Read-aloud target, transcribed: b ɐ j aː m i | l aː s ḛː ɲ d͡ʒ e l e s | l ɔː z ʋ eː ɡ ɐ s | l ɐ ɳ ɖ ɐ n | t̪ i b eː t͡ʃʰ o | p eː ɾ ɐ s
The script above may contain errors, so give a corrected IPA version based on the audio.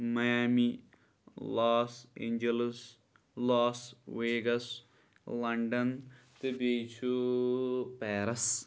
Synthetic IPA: m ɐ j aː m i | l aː s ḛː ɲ d͡ʒ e l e s | l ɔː s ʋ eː ɡ ɐ s | l ɐ ɳ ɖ ɐ n | t̪ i b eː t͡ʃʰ u | p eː ɾ ɐ s